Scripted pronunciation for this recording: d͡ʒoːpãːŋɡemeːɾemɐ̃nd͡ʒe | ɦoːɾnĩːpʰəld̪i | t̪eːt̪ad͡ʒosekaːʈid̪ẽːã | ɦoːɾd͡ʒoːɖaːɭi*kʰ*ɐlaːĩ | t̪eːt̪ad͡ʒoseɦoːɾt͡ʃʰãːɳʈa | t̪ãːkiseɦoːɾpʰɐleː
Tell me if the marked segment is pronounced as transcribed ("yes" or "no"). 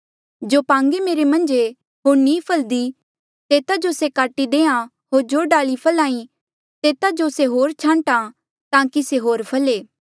no